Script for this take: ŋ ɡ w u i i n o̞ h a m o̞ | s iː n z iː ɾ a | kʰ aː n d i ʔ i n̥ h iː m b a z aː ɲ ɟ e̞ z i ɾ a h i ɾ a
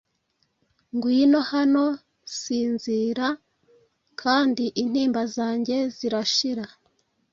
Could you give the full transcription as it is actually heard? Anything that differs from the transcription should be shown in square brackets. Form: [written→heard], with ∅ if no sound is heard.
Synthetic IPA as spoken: ŋ ɡ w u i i n o̞ h a [m→n] o̞ | s iː n z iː ɾ a | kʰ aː n d i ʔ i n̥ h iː m b a z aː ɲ ɟ e̞ z i ɾ a [h→ʃ] i ɾ a